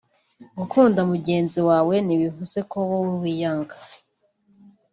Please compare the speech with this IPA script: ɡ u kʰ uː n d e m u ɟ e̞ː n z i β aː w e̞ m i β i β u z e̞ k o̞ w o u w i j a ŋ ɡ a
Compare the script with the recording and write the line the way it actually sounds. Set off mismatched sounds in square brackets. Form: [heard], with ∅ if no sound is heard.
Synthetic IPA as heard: ɡ u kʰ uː n d [a] m u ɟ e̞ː n z i [w] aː w e̞ [n] i β i [v] u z e̞ k o̞ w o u w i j a ŋ ɡ a